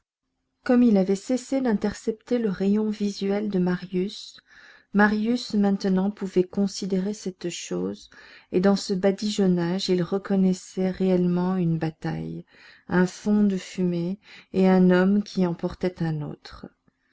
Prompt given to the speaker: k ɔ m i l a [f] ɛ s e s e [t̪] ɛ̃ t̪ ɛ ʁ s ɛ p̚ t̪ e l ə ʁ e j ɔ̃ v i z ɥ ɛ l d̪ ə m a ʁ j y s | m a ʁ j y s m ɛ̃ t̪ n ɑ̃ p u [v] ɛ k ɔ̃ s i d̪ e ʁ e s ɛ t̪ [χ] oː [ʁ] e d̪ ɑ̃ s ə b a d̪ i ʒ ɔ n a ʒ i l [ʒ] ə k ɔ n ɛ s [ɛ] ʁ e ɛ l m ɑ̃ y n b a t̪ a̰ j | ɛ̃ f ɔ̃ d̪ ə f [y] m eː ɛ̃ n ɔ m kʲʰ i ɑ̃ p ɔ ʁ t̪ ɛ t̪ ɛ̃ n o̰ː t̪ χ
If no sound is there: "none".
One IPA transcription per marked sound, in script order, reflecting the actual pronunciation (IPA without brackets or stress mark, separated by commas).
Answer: v, d̪, v, ʃ, z, ʁ, ɛ, y